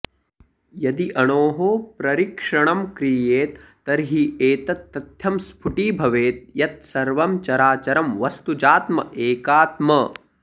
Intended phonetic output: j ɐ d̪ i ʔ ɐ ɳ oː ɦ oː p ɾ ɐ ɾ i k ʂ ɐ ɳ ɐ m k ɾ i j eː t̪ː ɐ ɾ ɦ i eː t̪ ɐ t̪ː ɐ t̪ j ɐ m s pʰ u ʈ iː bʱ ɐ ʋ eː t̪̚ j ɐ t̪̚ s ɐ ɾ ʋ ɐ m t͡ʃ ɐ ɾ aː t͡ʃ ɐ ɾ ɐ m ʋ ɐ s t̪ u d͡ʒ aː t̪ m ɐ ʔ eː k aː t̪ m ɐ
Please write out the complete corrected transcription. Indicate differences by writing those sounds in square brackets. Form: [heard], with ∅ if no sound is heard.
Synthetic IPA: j ɐ d̪ i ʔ ɐ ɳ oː ɦ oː p ɾ ɐ ɾ i k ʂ ɐ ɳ ɐ m k ɾ i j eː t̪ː ɐ ɾ ɦ i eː t̪ ɐ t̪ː ɐ t̪ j ɐ m s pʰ u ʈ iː bʱ ɐ ʋ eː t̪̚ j ɐ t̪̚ s ɐ ɾ ʋ ɐ m t͡ʃ ɐ ɾ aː t͡ʃ ɐ ɾ ɐ m ʋ ɐ s t̪ u d͡ʒ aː t̪ m ɐ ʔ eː k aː t̪ m ɐ